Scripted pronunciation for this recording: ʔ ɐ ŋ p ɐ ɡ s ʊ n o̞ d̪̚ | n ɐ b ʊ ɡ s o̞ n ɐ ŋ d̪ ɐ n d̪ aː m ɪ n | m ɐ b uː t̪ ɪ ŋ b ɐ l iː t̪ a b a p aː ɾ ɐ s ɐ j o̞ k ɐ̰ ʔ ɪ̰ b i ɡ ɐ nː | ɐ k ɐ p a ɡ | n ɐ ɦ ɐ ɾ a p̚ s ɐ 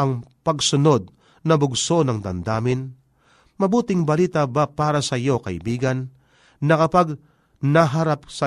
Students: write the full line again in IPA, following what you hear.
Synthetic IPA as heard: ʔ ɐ ŋ p ɐ ɡ s ʊ n o̞ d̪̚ | n ɐ b ʊ ɡ s o̞ n ɐ ŋ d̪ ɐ n d̪ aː m ɪ n | m ɐ b uː t̪ ɪ ŋ b ɐ l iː t̪ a b a p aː ɾ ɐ s ɐ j o̞ k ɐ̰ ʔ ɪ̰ b iː ɡ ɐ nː | ɐ k ɐ p a ɡ | n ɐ ɦ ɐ ɾ a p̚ s ɐ